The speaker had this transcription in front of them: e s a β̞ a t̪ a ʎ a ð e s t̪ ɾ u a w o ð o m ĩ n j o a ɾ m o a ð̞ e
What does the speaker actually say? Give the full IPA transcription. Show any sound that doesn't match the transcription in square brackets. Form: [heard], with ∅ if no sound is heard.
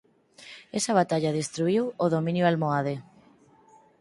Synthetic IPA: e s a β̞ a t̪ a ʎ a ð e s t̪ ɾ u [i] w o ð o m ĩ n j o a [l] m o a ð̞ e

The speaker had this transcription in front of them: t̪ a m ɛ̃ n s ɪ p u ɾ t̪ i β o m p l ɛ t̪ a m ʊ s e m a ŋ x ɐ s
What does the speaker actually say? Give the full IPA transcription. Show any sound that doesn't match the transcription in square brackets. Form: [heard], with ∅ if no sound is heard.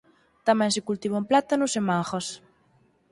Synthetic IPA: t̪ a m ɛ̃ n s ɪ [k] u [l] t̪ i β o m p l [a] t̪ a [n] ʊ s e m a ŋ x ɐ s

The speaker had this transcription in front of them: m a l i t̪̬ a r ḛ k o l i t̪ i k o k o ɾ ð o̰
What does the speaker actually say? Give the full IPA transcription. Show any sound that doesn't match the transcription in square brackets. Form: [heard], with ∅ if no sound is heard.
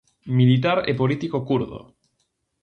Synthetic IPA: m [i] l i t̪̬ a [ɾ] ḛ [p] o l i t̪ i k o k [u] ɾ ð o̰

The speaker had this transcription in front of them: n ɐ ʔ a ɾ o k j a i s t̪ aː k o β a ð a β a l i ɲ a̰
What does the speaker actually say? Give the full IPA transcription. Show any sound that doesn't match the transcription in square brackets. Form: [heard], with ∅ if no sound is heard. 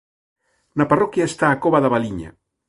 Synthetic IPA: n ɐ [p] a [r] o k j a [e] s t̪ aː k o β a ð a β a l i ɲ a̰

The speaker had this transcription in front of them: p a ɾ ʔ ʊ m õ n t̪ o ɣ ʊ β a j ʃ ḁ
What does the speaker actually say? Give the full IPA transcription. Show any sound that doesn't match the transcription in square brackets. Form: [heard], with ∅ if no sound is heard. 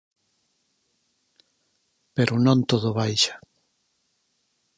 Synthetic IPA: p [e] ɾ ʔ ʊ [n] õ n t̪ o [ð] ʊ β a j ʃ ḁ

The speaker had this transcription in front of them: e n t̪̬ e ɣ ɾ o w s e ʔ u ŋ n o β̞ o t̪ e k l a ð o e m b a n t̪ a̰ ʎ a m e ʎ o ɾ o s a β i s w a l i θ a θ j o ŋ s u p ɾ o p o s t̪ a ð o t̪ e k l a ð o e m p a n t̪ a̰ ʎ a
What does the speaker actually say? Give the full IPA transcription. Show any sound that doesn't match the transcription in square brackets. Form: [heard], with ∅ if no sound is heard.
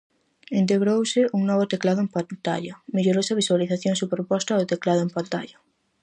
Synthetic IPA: e n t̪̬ e ɣ ɾ o w s e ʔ u ŋ n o β̞ o t̪ e k l a ð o e m [p] a n t̪ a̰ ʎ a m e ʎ o ɾ o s a β i s w a l i θ a θ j o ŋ s u p ɾ o p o s t̪ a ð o t̪ e k l a ð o e m p a n t̪ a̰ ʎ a

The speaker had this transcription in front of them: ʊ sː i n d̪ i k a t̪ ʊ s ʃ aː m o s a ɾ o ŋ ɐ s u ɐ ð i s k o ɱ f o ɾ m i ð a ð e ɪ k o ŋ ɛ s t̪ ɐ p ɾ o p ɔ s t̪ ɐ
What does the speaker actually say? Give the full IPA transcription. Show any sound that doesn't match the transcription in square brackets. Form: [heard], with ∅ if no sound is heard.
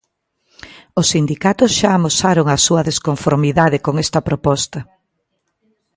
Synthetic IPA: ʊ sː i n d̪ i k a t̪ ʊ s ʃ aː m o s a ɾ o ŋ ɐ s u ɐ ð [e] s k o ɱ f o ɾ m i ð a ð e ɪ k o ŋ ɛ s t̪ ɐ p ɾ o p ɔ s t̪ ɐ

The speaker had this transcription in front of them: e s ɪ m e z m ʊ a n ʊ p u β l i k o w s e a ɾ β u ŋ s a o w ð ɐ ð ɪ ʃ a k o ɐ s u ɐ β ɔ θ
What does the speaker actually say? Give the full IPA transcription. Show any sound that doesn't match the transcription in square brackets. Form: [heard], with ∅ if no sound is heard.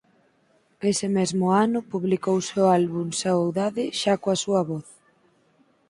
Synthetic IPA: e s ɪ m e z m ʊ a n ʊ p u β l i k o w s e a [l] β u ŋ s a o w ð [a] ð ɪ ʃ a k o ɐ s u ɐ β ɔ θ

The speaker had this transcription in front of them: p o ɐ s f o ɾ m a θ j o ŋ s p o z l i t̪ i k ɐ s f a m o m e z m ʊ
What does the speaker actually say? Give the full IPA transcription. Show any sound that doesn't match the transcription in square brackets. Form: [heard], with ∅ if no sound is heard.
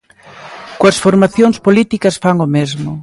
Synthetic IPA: [k] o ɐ s f o ɾ m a θ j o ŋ s p o [∅] l i t̪ i k ɐ s f a [ŋ] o m e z m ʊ

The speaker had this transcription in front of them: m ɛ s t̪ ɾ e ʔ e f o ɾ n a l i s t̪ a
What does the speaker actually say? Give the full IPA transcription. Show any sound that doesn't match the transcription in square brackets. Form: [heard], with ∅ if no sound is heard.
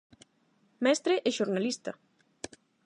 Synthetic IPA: m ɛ s t̪ ɾ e ʔ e [ʃ] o ɾ n a l i s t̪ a

